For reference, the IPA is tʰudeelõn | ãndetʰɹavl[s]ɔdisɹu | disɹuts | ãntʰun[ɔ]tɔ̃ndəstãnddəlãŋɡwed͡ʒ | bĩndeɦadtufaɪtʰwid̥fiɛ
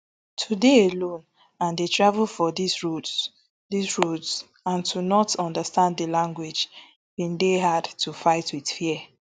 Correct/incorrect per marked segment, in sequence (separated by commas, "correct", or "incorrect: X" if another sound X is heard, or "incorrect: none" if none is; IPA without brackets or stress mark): incorrect: f, correct